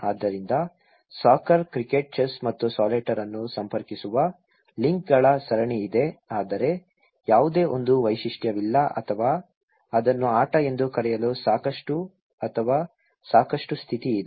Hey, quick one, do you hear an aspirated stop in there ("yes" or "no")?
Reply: yes